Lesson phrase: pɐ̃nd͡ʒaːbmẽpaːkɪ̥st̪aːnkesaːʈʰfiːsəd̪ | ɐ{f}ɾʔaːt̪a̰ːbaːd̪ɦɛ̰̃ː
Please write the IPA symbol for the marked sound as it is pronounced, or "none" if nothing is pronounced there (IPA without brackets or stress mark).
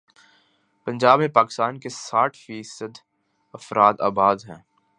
f